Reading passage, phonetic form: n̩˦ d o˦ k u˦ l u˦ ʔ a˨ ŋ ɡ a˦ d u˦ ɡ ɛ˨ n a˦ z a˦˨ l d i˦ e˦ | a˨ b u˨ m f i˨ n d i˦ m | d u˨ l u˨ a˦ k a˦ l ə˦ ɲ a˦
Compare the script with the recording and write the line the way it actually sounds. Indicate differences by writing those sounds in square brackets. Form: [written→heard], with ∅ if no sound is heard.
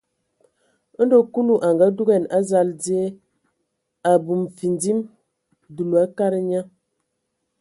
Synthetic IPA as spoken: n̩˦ d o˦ k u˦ l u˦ ʔ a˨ ŋ ɡ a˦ d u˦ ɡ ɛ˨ n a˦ z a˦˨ l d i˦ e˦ | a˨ b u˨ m f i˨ n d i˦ m | d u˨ l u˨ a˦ k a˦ [l→ɾ] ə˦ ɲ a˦